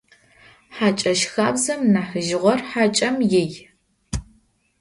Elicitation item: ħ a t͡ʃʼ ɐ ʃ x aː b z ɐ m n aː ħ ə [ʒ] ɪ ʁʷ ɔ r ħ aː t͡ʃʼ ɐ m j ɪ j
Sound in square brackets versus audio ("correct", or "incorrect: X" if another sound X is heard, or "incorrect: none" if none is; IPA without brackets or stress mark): correct